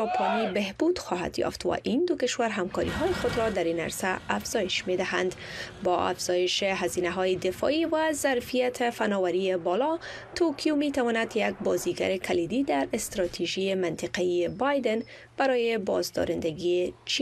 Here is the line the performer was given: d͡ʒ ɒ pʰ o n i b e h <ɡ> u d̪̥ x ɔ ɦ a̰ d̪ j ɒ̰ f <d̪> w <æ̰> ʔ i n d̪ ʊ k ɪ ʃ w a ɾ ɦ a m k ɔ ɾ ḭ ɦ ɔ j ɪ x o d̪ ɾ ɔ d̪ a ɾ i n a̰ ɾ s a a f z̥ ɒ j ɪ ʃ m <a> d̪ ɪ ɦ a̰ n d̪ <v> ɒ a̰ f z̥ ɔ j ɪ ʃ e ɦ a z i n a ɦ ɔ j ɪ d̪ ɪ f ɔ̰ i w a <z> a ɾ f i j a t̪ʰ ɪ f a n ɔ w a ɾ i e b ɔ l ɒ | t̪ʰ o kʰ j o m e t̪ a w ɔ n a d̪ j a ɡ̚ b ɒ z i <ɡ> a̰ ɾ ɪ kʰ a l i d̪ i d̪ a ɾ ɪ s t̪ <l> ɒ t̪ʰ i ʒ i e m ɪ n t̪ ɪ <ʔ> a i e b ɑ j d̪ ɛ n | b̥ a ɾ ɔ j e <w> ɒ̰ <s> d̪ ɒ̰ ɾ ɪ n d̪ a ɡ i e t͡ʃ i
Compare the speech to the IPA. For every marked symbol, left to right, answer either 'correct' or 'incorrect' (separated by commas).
incorrect, incorrect, incorrect, incorrect, incorrect, correct, correct, incorrect, incorrect, incorrect, incorrect